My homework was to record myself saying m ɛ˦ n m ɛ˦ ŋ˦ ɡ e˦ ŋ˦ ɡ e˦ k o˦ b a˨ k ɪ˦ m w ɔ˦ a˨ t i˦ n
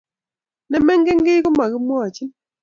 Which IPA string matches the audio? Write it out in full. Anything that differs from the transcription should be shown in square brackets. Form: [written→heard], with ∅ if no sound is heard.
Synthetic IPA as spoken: [m→n] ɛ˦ [n→∅] m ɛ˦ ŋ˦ ɡ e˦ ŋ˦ ɡ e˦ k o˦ [b→m] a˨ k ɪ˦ m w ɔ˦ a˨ [t→t͡ʃ] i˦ n